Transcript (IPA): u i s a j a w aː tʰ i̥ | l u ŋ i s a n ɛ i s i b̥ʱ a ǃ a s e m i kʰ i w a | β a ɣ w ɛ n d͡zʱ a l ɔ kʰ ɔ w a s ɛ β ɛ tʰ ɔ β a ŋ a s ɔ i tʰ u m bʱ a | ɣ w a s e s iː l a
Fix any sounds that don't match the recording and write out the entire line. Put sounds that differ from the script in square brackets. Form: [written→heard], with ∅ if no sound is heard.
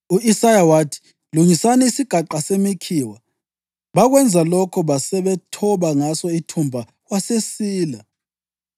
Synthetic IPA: u i s a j a w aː tʰ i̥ | l u ŋ i s a n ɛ i s i [b̥ʱ→ɡ̥ʱ] a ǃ a s e m i kʰ i w a | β a ɣ w ɛ n d͡zʱ a l ɔ kʰ ɔ [w→β] a s ɛ β ɛ tʰ ɔ β a ŋ a s ɔ i tʰ u m bʱ a | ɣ w a s e s iː l a